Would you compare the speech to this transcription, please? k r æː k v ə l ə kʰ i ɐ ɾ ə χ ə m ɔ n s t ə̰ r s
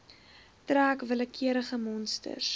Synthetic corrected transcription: t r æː k v ə l ə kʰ i ə ɾ ə χ ə m ɔ n s t ə̰ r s